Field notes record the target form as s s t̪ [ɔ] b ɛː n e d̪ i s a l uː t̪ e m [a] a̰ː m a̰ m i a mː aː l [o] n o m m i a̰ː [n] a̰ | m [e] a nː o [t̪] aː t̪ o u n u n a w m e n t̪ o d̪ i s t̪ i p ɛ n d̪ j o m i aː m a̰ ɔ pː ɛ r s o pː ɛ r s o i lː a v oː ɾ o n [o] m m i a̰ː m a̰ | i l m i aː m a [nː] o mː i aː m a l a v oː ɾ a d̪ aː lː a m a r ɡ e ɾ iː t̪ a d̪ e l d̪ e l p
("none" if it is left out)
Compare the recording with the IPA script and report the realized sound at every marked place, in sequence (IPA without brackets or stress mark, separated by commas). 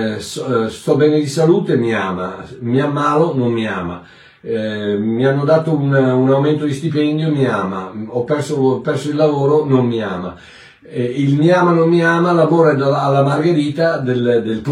ɔ, i, o, m, i, d̪, o, n